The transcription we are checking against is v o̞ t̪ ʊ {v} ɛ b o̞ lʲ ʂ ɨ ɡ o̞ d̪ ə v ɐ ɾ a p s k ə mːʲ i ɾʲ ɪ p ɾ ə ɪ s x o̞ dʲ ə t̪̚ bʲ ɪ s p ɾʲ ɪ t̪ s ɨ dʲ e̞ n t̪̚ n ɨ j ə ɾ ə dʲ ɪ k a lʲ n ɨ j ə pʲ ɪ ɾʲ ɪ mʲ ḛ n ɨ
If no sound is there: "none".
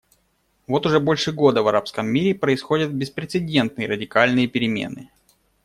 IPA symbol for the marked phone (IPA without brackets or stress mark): ʐ